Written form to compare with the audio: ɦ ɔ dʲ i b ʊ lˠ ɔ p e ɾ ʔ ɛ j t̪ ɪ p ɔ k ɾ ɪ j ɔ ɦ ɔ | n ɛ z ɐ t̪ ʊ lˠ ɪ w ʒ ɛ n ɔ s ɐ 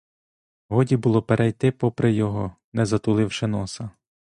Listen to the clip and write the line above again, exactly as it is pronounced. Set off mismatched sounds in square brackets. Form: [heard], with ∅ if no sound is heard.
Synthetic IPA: ɦ ɔ dʲ i b ʊ lˠ ɔ p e ɾ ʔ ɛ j t̪ ɪ p ɔ [p] ɾ ɪ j ɔ ɦ ɔ | n ɛ z ɐ t̪ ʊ lˠ ɪ w [ʃ] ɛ n ɔ s ɐ